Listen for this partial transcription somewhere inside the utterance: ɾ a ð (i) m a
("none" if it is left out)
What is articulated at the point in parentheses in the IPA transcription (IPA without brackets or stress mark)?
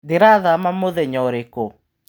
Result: a